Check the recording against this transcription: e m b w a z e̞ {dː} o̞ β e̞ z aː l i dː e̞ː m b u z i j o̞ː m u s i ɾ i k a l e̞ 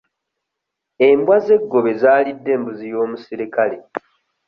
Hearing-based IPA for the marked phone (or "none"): ɡː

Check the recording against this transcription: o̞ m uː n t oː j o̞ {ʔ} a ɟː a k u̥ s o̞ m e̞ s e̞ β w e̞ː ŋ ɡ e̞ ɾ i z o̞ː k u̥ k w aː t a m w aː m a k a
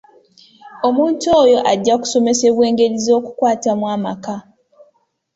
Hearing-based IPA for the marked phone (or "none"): ʔ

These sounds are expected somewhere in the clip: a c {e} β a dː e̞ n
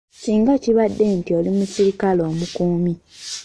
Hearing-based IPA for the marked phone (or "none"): i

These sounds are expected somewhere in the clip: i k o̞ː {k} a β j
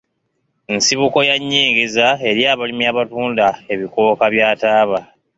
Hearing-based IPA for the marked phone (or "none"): k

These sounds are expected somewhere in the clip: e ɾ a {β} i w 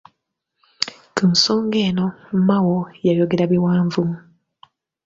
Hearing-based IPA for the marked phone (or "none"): β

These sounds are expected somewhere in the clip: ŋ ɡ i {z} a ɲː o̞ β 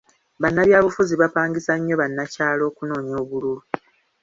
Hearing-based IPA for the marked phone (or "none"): s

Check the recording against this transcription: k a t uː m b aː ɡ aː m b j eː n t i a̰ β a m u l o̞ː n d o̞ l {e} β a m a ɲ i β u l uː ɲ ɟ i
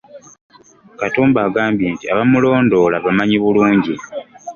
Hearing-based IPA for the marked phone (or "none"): a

